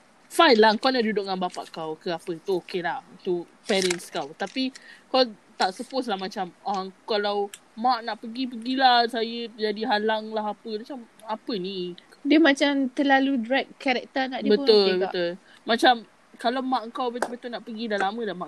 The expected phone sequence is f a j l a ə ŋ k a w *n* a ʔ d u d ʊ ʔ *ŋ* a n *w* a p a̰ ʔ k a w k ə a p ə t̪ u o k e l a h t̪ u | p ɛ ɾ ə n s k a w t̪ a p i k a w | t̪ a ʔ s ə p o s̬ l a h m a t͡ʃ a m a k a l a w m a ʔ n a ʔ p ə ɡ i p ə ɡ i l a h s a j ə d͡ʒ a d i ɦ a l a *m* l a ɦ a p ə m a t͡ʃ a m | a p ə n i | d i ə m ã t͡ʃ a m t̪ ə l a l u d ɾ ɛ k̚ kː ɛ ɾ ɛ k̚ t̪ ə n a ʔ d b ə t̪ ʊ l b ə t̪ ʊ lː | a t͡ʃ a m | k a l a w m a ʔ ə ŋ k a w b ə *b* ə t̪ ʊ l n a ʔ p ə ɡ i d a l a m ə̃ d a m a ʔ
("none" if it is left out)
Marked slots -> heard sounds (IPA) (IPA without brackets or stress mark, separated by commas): n, ŋ, b, ŋ, b